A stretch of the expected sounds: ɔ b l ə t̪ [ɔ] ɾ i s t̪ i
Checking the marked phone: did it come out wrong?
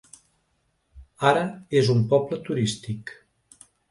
yes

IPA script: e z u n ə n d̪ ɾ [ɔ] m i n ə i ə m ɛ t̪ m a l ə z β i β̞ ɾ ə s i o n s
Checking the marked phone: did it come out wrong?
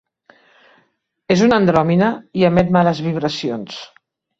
no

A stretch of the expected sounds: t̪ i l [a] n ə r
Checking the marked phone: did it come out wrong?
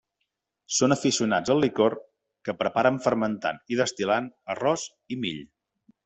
no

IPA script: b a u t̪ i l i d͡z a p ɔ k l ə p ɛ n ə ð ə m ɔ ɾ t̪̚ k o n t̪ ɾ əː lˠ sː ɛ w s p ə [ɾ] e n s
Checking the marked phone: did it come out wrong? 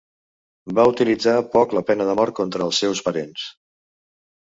no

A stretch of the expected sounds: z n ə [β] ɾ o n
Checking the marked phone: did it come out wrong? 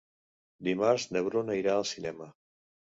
no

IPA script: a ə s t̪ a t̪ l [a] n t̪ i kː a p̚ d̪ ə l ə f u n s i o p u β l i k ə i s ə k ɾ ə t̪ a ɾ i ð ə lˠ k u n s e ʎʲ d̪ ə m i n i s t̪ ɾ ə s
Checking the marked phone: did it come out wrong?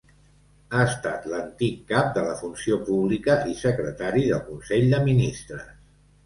yes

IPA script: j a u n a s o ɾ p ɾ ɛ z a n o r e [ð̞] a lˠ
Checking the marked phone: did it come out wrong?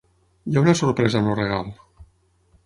yes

